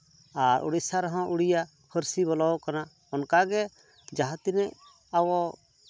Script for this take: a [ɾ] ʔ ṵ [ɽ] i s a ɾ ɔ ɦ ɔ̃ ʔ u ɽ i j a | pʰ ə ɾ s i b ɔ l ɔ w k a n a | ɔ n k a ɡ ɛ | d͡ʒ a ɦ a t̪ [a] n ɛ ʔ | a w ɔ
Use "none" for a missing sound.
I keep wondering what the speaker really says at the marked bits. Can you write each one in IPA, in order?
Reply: ɾ, ɽ, i

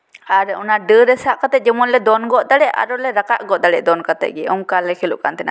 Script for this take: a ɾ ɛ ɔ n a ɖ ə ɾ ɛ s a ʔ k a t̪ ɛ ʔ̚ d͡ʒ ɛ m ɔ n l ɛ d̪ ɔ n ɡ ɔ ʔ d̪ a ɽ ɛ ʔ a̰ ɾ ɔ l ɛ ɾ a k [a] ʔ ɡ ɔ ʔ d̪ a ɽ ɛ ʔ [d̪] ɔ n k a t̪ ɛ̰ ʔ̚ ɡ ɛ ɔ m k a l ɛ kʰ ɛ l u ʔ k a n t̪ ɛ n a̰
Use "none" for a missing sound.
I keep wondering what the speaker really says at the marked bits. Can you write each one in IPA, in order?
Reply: a, d̪

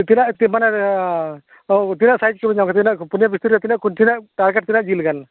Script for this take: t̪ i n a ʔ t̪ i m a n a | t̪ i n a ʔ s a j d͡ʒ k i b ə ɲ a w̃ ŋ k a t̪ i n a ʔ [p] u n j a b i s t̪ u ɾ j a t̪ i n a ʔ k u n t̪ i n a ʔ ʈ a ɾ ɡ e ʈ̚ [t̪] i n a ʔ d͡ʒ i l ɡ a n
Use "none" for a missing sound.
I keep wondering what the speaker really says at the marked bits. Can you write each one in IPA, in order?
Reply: p, t̪

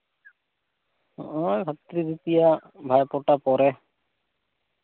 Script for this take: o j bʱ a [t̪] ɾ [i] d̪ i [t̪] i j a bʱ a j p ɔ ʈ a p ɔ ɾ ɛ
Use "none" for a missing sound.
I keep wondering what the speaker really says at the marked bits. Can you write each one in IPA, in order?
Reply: t̪, i, t̪

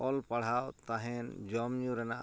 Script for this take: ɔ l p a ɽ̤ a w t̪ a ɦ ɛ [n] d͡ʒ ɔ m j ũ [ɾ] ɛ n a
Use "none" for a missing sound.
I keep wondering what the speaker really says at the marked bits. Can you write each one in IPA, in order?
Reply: n, ɾ

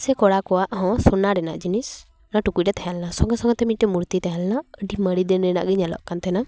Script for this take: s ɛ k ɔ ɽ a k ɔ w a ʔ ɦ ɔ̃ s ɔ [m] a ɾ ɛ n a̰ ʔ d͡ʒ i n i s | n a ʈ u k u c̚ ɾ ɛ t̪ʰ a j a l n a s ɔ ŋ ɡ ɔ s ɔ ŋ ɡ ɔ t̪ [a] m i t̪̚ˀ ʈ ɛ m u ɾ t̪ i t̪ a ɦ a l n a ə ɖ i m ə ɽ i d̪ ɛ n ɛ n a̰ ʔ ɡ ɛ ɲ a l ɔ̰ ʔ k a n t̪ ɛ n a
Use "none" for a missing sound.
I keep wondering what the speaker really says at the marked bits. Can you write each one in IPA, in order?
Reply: n, ɛ

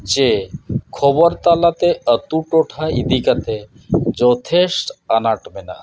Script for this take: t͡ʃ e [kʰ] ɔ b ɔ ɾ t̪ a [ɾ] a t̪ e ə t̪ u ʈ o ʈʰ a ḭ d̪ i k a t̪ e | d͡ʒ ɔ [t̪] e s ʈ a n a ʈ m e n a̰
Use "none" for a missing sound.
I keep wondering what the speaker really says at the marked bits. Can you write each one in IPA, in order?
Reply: kʰ, l, t̪ʰ

